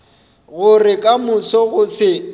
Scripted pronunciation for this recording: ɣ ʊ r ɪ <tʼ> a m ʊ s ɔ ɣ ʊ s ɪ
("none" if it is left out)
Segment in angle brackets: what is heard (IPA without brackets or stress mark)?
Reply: kʼ